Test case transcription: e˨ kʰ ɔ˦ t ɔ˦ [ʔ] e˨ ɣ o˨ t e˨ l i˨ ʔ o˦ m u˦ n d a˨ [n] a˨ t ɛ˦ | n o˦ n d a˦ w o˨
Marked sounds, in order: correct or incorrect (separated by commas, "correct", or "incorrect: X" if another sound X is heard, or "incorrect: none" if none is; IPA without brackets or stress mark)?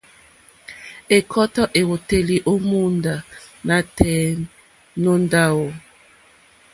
correct, correct